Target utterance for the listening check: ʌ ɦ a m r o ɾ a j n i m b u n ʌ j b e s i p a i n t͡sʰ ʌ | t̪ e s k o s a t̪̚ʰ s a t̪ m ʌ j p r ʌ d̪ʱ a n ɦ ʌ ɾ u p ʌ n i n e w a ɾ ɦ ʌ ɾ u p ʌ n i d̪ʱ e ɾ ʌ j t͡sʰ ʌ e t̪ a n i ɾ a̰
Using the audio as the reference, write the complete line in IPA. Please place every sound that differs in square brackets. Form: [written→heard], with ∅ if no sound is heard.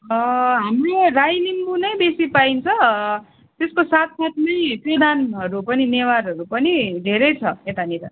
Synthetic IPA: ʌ ɦ a m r o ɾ a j n i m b u n ʌ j b e s i p a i n t͡sʰ ʌ | t̪ e s k o s a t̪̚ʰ s a t̪ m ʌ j p r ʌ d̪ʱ a n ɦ ʌ ɾ u p ʌ n i n e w a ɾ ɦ ʌ ɾ u p ʌ n i d̪ʱ e ɾ ʌ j t͡sʰ ʌ e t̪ a n i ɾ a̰